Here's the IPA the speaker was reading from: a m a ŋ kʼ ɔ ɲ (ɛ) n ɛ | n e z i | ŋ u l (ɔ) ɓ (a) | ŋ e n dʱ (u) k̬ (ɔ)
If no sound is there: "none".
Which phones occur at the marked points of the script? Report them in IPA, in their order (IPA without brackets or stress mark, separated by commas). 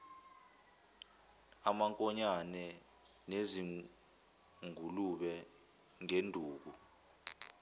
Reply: a, u, ɛ, uː, u